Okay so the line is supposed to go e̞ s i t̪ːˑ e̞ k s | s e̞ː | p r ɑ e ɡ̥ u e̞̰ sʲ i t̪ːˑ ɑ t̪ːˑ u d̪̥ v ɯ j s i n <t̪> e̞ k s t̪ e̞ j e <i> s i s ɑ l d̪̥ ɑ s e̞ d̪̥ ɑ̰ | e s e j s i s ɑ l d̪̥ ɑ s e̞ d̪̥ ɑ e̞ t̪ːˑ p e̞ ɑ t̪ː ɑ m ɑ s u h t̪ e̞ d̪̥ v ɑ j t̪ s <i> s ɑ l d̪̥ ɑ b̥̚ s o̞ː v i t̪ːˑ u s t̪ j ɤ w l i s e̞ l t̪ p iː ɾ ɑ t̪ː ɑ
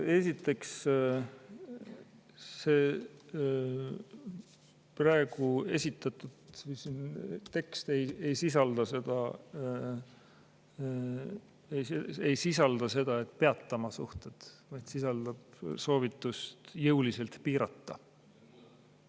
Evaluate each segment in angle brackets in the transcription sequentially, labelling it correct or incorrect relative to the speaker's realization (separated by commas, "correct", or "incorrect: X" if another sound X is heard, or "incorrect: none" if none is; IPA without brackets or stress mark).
correct, incorrect: j, correct